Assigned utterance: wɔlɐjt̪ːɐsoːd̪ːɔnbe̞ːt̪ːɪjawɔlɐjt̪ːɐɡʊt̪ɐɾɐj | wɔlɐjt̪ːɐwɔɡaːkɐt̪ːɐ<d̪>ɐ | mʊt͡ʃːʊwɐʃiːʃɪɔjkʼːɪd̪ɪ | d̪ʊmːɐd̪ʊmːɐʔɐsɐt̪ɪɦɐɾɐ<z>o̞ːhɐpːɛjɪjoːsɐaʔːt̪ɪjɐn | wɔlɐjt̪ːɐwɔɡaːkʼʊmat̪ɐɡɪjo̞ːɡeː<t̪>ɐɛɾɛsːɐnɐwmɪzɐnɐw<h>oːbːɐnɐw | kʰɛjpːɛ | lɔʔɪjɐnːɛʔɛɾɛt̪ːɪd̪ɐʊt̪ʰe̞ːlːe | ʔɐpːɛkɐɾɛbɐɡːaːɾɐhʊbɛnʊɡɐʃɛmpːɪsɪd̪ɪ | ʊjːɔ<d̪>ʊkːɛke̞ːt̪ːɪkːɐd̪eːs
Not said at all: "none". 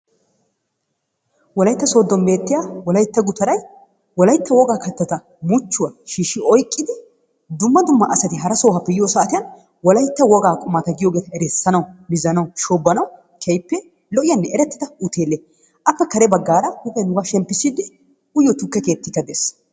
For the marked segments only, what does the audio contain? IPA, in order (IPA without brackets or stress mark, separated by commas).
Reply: t̪, s, t̪, ʃ, t̪